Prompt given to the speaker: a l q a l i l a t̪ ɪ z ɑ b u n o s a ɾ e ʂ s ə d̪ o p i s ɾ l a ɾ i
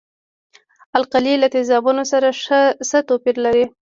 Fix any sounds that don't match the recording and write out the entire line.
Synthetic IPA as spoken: a l q a l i l a t̪ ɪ z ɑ b u n o s a ɾ a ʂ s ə t̪ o p i ɾ l a ɾ i